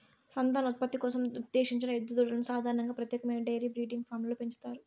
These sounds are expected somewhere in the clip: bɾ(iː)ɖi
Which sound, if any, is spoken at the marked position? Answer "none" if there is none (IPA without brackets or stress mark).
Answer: iː